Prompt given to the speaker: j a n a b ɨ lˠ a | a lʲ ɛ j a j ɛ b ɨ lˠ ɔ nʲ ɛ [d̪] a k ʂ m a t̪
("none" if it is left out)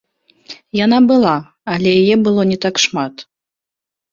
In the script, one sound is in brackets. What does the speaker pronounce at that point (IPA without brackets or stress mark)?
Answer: t̪